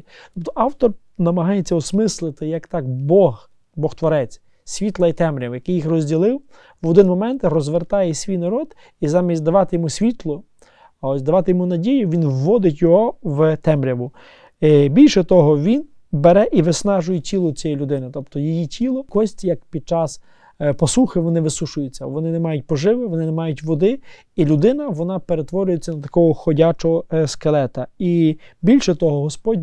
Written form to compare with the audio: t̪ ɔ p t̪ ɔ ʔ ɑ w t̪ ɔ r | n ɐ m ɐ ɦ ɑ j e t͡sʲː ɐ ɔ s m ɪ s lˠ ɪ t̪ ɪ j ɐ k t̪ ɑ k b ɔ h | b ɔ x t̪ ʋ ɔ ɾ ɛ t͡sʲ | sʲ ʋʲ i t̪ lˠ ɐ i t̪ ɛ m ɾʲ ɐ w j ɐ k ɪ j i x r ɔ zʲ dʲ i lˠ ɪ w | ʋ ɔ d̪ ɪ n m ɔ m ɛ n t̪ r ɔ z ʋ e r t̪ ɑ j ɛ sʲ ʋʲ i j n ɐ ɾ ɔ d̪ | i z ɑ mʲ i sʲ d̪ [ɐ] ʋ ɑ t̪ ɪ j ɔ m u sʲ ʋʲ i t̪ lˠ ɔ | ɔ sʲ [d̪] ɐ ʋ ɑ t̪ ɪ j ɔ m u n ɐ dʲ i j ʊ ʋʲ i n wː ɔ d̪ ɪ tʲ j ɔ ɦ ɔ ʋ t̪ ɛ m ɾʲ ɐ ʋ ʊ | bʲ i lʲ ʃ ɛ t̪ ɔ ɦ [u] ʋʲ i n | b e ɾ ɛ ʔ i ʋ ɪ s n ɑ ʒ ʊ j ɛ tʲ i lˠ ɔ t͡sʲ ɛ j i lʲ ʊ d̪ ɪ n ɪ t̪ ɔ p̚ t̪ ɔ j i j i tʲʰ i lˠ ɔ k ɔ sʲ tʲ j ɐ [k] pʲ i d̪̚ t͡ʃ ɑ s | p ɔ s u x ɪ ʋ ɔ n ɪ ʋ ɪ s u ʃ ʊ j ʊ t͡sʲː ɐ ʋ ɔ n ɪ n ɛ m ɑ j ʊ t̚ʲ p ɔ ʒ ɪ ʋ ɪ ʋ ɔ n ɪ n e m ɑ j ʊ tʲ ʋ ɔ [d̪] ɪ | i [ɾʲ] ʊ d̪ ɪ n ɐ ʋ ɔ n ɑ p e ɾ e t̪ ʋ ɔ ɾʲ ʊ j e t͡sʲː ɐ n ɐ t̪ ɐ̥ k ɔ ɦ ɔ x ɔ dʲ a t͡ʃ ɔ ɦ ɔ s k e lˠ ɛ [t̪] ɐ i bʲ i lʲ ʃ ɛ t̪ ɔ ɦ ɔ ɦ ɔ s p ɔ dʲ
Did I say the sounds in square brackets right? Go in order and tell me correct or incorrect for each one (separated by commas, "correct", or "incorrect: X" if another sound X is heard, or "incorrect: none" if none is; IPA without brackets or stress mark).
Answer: correct, correct, incorrect: ɔ, correct, correct, incorrect: lʲ, correct